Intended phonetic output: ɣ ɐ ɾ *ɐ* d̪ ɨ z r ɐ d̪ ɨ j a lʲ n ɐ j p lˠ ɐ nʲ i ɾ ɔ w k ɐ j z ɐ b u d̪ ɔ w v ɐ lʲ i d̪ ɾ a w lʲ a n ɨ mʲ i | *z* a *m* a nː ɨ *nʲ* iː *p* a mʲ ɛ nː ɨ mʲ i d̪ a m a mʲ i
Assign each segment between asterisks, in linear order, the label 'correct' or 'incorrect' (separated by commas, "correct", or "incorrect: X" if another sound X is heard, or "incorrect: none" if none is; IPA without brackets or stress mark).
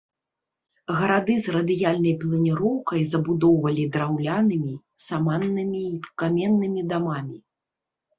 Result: incorrect: a, incorrect: s, correct, incorrect: mʲ, incorrect: k